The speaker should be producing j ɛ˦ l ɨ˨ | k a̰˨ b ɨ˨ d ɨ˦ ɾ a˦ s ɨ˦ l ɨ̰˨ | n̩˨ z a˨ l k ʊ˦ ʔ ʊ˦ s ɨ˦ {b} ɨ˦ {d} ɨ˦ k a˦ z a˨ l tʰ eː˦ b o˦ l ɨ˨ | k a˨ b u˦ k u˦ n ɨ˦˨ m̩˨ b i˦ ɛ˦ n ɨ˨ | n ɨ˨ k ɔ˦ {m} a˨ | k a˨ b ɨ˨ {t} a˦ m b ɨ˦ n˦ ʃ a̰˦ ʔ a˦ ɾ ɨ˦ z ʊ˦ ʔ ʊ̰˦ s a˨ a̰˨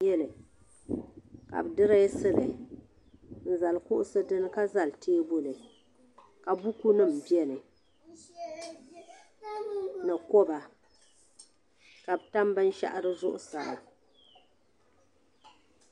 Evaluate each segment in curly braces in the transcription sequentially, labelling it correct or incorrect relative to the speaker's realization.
incorrect: d, incorrect: n, incorrect: b, correct

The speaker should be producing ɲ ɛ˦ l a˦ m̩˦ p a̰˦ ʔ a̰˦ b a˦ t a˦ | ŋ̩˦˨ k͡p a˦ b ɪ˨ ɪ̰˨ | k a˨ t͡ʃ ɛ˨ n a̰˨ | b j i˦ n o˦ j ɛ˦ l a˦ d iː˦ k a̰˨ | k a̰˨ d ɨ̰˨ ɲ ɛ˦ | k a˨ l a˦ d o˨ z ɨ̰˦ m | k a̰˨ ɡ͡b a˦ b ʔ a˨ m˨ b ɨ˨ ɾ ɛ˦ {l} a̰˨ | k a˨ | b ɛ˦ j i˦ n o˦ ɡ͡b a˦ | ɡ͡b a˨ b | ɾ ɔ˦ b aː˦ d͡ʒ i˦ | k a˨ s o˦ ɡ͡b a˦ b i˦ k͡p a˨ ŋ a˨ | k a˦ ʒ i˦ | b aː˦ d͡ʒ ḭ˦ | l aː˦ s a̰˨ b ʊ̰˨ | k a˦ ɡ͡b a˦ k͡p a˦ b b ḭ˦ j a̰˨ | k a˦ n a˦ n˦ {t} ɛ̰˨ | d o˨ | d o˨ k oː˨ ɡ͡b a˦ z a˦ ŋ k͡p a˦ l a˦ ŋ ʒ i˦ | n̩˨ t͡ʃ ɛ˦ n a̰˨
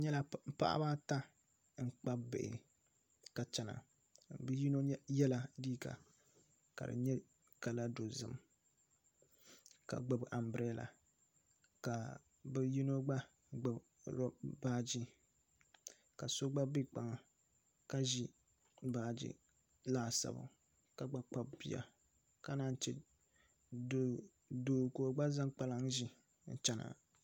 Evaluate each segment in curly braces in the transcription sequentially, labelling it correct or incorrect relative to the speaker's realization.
correct, incorrect: t͡ʃ

